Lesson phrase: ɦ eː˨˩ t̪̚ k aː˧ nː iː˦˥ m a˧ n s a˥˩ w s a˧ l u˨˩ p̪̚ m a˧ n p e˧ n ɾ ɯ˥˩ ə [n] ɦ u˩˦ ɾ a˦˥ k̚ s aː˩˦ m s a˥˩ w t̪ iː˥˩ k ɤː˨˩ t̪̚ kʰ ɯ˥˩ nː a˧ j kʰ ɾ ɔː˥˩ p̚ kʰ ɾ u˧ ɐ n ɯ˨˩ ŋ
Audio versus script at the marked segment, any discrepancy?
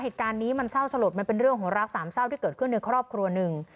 yes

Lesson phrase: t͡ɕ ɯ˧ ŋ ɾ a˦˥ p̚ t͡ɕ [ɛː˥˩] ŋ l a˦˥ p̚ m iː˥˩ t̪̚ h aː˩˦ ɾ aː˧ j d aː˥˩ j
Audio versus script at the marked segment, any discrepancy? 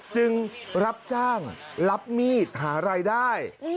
yes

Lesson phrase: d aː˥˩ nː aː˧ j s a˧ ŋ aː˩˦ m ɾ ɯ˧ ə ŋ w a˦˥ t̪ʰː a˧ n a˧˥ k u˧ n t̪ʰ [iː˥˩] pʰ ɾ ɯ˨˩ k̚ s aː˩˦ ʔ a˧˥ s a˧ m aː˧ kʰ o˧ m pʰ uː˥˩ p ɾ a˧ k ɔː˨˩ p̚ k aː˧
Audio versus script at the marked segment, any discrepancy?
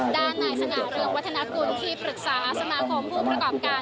no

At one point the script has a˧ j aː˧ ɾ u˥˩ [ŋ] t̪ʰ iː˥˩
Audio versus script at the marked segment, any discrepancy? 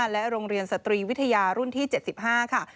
yes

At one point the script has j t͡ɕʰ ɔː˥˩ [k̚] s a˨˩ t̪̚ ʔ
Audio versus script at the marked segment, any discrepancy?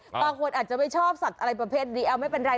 yes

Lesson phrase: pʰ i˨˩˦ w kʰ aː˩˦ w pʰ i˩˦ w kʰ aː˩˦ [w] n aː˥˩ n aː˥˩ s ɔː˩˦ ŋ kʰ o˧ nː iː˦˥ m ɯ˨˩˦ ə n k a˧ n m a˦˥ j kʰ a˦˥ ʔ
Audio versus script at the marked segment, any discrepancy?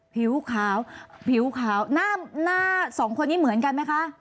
no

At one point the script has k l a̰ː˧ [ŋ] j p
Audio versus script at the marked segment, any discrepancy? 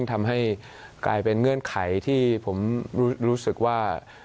yes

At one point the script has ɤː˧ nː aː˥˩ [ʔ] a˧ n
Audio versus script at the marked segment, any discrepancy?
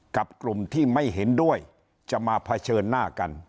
yes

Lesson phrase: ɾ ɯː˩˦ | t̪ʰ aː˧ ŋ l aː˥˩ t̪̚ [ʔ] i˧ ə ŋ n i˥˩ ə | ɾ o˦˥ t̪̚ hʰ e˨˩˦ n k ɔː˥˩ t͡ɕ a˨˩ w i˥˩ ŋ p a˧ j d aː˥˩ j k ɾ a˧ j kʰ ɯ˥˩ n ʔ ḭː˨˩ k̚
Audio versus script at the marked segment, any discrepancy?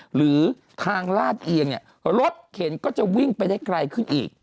no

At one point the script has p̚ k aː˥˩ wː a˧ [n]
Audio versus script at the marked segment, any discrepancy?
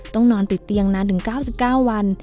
no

